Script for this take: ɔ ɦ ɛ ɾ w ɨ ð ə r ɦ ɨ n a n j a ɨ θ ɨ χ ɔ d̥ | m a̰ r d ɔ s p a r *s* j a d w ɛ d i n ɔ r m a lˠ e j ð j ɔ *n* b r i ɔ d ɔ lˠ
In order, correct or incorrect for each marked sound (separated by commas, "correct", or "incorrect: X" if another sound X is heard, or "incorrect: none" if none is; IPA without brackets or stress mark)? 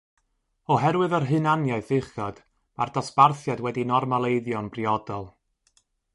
incorrect: θ, correct